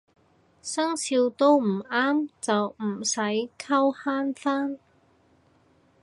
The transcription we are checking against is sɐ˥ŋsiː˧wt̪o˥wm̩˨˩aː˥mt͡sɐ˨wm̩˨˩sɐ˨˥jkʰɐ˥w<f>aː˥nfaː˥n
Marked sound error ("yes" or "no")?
yes